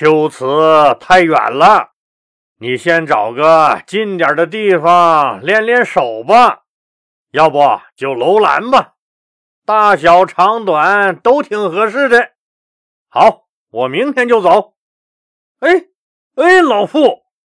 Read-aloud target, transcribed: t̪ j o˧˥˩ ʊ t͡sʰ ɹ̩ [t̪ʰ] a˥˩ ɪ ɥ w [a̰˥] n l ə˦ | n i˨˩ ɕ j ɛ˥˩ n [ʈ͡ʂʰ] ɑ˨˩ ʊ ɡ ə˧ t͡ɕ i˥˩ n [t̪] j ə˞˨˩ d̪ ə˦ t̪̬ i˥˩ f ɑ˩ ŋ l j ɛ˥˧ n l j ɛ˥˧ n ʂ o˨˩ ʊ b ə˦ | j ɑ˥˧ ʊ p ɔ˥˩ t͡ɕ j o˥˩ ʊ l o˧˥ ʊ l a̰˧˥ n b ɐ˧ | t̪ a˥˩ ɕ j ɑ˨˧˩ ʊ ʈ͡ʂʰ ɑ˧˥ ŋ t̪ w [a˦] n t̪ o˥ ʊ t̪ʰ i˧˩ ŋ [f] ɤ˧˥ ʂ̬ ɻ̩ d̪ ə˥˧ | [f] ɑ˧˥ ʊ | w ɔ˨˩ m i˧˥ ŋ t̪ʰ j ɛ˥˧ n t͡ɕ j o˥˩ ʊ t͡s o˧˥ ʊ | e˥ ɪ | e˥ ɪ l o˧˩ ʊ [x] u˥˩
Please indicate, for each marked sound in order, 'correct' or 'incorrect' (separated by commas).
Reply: correct, incorrect, incorrect, correct, incorrect, incorrect, incorrect, incorrect